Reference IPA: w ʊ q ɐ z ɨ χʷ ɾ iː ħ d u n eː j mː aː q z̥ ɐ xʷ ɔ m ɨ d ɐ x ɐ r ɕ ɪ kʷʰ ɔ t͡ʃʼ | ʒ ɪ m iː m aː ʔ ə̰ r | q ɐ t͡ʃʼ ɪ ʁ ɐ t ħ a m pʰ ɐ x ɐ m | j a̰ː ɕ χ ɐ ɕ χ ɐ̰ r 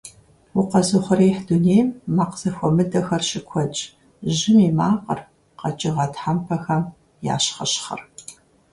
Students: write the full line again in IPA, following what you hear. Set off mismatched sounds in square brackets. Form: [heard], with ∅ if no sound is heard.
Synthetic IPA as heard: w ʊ q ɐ z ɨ χʷ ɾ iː ħ d u n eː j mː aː q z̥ ɐ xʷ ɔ m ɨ d ɐ x ɐ r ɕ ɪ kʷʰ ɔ t͡ʃʼ | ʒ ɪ m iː m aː [q] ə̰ r | q ɐ t͡ʃʼ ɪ ʁ ɐ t ħ a m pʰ ɐ x ɐ m | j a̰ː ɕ χ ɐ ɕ χ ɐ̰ r